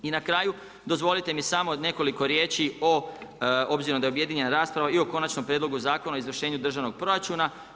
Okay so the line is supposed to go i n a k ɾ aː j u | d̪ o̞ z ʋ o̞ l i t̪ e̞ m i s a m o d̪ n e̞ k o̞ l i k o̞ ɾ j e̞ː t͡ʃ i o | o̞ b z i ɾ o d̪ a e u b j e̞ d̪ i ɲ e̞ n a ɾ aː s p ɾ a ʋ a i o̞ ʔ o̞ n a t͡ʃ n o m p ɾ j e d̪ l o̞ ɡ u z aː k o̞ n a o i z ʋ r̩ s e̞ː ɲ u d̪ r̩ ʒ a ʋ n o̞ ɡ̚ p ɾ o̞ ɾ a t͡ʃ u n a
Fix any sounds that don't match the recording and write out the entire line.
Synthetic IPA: i n a k ɾ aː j u | d̪ o̞ z ʋ o̞ l i t̪ e̞ m i s a m o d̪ n e̞ k o̞ l i k o̞ ɾ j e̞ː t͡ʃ i o | o̞ b z i ɾ o d̪ a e u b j e̞ d̪ i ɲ e̞ n a ɾ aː s p ɾ a ʋ a i o̞ k o̞ n a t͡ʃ n o m p ɾ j e d̪ l o̞ ɡ u z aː k o̞ n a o i z ʋ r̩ ʃ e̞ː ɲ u d̪ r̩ ʒ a ʋ n o̞ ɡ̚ p ɾ o̞ ɾ a t͡ʃ u n a